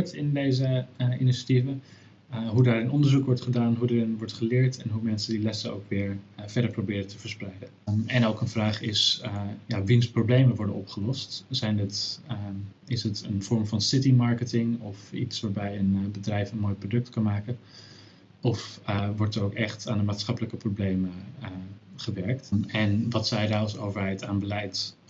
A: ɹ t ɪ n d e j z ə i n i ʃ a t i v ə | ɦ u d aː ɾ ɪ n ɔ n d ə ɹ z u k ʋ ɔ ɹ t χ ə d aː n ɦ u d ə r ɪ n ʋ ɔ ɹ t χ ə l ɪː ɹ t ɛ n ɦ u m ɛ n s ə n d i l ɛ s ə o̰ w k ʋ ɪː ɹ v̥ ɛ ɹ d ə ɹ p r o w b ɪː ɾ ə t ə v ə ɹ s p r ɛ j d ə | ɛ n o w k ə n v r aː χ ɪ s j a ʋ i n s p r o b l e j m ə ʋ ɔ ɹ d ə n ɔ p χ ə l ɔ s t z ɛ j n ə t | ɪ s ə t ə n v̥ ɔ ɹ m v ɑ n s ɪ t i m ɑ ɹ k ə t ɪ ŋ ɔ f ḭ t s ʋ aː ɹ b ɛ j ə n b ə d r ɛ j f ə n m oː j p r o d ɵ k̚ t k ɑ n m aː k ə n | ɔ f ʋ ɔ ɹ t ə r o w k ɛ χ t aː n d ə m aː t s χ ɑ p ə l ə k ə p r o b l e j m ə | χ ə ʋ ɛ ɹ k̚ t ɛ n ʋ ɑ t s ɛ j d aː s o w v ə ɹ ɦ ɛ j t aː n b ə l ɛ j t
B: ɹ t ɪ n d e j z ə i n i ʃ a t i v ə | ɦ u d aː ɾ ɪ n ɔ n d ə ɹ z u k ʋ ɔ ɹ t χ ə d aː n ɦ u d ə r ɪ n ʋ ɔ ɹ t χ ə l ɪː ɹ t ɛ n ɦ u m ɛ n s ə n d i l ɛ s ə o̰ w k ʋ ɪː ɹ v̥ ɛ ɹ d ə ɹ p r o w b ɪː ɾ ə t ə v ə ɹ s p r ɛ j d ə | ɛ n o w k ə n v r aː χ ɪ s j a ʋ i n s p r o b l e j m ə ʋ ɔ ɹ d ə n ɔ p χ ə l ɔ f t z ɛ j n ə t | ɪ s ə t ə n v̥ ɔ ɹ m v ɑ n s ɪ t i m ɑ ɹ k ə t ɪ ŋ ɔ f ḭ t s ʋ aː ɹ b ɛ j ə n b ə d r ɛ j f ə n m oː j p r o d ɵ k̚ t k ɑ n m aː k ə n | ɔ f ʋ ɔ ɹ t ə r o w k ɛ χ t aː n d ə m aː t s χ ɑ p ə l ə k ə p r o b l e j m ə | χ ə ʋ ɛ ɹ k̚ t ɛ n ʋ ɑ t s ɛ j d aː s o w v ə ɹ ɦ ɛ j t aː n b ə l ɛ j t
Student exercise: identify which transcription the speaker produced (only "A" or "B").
A